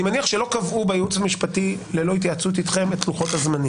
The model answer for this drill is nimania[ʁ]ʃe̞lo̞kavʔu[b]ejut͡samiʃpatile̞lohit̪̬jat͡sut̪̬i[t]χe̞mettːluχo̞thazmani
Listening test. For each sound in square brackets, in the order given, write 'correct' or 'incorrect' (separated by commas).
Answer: incorrect, correct, correct